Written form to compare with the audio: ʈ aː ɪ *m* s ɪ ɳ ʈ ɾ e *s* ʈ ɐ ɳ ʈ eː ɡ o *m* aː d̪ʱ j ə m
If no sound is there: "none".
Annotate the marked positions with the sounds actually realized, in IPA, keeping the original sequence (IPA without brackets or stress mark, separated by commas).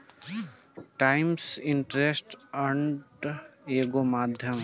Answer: m, s, m